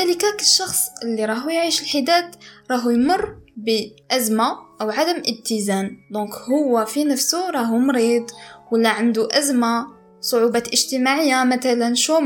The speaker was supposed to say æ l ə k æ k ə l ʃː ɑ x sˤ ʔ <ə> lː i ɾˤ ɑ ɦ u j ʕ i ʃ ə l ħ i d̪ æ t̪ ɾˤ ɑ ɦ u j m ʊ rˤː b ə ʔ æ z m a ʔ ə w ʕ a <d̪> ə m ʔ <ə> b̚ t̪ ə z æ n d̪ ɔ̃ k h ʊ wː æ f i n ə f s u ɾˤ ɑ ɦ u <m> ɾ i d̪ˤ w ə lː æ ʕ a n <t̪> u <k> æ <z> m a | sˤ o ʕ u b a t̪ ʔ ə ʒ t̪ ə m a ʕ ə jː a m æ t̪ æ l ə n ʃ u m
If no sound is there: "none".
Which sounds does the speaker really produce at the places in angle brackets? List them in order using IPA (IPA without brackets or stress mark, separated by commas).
ə, d̪, ə, m, d̪, ʔ, z